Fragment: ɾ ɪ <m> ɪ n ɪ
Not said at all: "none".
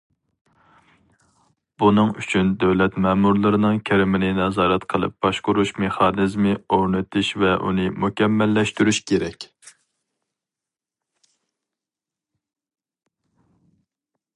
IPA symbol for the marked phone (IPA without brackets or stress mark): m